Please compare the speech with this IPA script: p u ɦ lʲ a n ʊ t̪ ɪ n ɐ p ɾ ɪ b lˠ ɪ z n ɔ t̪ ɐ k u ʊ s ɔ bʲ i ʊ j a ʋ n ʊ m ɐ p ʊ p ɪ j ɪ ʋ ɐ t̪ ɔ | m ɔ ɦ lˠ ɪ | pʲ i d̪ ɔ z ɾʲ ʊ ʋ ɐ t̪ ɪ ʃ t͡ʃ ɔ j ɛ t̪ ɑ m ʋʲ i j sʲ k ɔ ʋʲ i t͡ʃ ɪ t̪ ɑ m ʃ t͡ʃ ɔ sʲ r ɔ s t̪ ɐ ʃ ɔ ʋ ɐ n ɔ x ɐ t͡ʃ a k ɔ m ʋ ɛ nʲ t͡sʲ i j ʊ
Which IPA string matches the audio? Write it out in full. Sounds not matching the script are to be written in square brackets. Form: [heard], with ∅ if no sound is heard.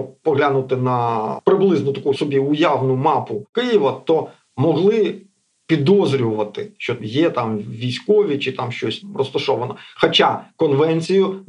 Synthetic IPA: p [ɔ] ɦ lʲ a n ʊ t̪ ɪ n ɐ p ɾ ɪ b lˠ ɪ z n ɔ t̪ ɐ k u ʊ s ɔ bʲ i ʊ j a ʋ n ʊ m [ɑ] p ʊ [k] ɪ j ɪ ʋ ɐ t̪ ɔ | m ɔ ɦ lˠ ɪ | pʲ i d̪ ɔ z ɾʲ ʊ ʋ ɐ t̪ ɪ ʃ t͡ʃ ɔ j ɛ t̪ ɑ m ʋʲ i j sʲ k ɔ ʋʲ i t͡ʃ ɪ t̪ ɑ m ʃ t͡ʃ ɔ sʲ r ɔ s t̪ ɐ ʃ ɔ ʋ ɐ n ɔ x ɐ t͡ʃ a k ɔ [n] ʋ ɛ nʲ t͡sʲ i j ʊ